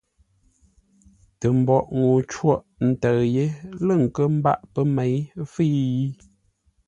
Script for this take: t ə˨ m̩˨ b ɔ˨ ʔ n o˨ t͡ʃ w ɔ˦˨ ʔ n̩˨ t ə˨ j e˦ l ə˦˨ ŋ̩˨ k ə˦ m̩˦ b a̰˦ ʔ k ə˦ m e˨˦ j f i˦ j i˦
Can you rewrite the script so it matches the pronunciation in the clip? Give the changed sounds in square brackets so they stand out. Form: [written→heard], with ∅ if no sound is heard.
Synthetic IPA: t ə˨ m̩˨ b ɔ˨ ʔ [n→ŋ] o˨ t͡ʃ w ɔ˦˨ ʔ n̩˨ t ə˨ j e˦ l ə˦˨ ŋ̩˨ k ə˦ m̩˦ b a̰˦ ʔ [k→p] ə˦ m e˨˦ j f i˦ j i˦